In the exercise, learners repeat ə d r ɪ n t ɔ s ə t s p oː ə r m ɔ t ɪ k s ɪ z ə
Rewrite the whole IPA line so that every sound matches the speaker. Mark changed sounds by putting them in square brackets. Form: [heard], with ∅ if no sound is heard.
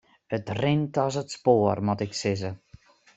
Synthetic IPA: ə [t] r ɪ n t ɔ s ə t s p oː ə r m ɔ t ɪ k s ɪ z ə